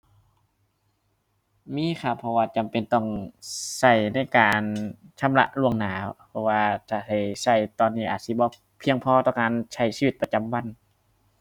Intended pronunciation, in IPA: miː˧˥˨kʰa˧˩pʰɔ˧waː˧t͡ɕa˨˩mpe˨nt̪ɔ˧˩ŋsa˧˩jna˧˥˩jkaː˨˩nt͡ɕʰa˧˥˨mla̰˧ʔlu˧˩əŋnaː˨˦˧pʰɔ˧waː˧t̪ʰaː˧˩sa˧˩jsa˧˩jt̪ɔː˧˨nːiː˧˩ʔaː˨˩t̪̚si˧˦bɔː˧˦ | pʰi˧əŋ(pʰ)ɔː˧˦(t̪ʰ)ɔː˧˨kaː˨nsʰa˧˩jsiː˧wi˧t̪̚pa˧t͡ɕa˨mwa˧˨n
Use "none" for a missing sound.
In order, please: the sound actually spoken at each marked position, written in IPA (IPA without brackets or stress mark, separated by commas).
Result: pʰ, t̪